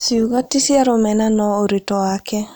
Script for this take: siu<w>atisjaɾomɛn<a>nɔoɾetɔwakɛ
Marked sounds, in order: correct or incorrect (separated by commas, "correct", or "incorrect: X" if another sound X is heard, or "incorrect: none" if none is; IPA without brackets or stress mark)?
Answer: incorrect: ɣ, correct